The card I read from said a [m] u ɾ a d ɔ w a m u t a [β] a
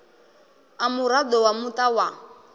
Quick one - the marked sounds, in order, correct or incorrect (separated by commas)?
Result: correct, incorrect